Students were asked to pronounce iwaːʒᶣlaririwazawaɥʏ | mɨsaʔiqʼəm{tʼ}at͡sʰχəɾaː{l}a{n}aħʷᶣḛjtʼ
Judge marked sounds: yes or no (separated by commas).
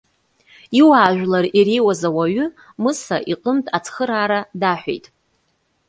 yes, no, no